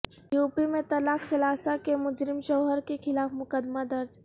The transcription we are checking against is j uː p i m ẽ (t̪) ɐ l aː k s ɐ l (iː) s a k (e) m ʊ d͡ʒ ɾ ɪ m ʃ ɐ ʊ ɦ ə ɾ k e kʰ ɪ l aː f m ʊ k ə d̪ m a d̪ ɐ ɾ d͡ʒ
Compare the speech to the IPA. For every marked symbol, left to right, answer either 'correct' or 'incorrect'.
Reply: correct, incorrect, correct

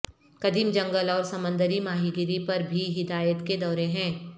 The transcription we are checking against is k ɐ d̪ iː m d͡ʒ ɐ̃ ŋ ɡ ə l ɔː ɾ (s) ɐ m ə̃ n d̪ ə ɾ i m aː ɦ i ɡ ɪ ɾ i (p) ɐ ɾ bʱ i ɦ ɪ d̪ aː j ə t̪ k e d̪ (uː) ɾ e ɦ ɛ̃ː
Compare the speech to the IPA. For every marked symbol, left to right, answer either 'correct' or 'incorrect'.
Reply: correct, correct, incorrect

